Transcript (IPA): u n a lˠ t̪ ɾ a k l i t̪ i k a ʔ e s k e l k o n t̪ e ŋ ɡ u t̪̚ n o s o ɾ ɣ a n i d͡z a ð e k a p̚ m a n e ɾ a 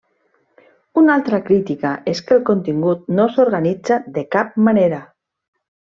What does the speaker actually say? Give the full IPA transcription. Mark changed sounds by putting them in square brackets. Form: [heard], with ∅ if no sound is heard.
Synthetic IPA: u n a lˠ t̪ ɾ a k [ɾ] i t̪ i k a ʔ e s k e l k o n t̪ [i] ŋ ɡ u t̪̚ n o s o ɾ ɣ a n i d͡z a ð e k a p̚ m a n e ɾ a